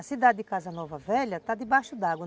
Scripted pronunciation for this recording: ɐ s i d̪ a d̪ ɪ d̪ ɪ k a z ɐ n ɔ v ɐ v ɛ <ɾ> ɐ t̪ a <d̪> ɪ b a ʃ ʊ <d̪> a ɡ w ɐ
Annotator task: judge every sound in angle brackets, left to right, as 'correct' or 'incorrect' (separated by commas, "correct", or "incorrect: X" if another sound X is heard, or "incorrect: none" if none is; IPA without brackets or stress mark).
incorrect: ʎ, correct, correct